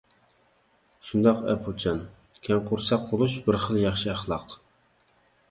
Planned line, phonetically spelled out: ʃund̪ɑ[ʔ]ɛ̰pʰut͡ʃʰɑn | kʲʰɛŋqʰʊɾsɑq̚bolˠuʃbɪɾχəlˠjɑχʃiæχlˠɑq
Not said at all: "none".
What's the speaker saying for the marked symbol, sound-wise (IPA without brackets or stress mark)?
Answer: q